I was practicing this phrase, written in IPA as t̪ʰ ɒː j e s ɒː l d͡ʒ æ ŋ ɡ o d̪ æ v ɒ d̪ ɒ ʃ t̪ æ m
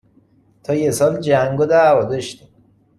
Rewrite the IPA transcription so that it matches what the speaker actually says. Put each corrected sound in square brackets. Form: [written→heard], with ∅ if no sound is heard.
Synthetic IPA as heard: t̪ʰ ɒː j e s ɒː l d͡ʒ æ ŋ ɡ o d̪ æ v ɒ d̪ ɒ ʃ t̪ [æ→i] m